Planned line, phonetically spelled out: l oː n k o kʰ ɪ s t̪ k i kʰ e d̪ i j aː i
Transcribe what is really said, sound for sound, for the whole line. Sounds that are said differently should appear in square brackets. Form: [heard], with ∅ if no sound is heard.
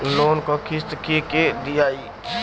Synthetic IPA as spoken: l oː n k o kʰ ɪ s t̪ k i [k] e d̪ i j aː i